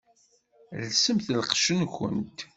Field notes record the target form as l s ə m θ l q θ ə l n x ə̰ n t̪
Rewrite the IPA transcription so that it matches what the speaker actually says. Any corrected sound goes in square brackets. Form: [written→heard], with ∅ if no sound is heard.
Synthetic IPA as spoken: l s ə m θ l q [θ→ʃ] ə [l→∅] n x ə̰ n t̪